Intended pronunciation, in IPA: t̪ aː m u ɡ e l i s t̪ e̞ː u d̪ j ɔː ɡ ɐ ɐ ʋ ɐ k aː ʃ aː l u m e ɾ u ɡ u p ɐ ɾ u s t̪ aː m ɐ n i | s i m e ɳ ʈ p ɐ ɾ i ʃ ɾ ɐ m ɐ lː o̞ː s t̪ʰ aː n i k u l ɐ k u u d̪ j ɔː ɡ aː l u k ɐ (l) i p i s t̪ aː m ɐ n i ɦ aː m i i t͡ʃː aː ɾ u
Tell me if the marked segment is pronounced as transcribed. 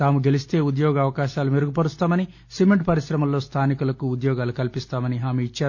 yes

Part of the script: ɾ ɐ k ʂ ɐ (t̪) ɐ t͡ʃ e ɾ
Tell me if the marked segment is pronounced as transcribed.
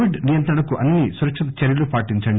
yes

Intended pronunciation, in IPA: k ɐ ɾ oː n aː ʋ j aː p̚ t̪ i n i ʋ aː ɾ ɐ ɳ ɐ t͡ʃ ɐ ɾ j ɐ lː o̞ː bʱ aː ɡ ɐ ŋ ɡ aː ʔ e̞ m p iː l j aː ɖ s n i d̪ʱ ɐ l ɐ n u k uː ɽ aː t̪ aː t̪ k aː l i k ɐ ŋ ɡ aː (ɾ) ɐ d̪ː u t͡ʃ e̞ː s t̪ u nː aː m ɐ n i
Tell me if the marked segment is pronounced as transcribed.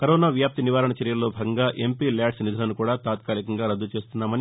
yes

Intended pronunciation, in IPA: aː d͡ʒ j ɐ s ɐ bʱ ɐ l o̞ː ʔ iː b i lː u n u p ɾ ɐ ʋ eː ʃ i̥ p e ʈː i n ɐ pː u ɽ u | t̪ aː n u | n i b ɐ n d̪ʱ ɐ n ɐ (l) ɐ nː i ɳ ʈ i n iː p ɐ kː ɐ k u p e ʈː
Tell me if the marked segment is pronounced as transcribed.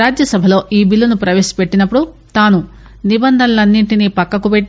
yes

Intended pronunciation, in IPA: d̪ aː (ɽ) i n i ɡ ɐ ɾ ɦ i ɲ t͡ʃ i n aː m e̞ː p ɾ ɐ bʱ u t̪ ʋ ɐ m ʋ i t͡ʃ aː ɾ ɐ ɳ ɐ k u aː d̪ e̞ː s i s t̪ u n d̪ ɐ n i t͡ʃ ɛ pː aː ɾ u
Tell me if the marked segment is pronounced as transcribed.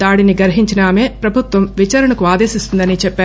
yes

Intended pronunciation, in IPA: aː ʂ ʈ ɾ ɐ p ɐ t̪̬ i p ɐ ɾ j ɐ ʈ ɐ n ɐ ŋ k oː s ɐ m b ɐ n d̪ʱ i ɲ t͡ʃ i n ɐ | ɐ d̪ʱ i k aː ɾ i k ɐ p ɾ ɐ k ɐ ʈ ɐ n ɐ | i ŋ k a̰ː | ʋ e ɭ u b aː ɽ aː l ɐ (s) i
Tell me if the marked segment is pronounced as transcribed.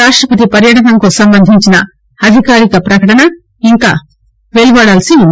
yes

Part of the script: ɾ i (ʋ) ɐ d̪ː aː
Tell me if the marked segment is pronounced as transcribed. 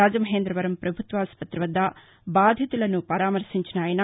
yes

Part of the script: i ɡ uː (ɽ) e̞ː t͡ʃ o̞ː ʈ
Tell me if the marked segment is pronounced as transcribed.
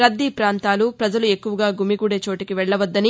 yes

